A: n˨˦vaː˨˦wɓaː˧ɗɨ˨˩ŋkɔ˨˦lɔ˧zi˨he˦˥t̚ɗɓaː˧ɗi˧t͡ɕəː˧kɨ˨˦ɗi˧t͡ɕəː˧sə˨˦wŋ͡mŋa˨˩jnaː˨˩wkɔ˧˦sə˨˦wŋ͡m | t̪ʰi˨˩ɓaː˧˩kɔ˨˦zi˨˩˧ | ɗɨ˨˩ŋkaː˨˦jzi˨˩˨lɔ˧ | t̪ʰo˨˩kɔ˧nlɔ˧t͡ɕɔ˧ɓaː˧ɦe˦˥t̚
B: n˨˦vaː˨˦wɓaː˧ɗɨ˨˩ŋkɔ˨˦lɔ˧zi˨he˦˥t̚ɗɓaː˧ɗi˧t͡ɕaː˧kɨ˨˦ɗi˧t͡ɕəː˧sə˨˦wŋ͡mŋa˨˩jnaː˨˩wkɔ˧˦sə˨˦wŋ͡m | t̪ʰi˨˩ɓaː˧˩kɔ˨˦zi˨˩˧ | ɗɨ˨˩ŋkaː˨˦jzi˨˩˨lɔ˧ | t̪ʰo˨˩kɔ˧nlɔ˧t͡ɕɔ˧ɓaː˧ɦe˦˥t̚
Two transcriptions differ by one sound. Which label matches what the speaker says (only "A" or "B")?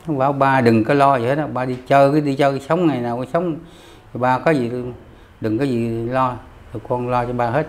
A